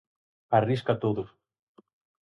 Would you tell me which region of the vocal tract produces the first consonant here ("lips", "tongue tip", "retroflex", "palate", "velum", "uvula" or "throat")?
tongue tip